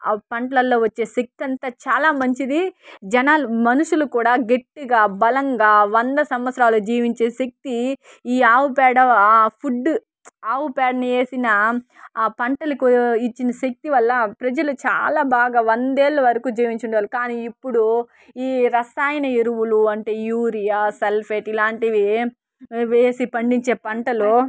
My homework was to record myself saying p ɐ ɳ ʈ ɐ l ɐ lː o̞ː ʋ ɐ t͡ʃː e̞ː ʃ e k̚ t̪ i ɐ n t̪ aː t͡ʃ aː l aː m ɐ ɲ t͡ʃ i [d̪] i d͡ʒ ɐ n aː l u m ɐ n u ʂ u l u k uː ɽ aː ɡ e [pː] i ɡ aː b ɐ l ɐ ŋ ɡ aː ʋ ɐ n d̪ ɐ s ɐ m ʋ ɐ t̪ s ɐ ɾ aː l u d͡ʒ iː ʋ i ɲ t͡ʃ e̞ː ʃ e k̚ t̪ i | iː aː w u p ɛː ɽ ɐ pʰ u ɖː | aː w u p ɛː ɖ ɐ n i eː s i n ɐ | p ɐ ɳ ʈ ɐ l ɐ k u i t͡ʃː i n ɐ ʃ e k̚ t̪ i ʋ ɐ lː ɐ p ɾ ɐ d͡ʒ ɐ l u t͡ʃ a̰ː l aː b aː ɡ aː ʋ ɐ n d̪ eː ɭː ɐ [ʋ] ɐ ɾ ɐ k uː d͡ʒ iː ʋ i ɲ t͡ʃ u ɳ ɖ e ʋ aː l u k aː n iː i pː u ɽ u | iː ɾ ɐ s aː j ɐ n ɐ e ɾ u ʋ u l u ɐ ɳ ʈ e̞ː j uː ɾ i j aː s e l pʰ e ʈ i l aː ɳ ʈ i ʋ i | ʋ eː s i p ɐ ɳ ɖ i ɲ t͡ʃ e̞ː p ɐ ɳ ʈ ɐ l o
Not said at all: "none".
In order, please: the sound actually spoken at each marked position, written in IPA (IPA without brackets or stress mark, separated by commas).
d̪, ʈː, ʋ